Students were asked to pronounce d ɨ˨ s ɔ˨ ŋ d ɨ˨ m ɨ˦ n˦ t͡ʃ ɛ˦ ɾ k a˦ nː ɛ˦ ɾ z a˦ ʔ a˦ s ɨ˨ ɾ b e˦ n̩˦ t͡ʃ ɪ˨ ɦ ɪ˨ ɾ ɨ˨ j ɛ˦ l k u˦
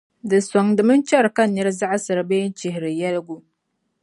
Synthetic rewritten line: d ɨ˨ s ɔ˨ ŋ d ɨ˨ m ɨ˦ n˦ t͡ʃ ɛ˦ ɾ k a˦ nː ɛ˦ ɾ z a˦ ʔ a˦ s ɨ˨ ɾ b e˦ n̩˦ t͡ʃ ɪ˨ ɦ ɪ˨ ɾ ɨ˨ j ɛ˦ l ɡ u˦